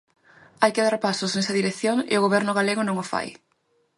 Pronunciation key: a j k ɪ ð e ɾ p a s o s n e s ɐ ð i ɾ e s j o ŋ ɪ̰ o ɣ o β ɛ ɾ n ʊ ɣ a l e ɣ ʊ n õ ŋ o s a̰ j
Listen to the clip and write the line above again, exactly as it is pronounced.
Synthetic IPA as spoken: a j k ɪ ð a ɾ p a s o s n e s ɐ ð i ɾ e θ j o ŋ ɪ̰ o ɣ o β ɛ ɾ n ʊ ɣ a l e ɣ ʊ n õ ŋ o f a̰ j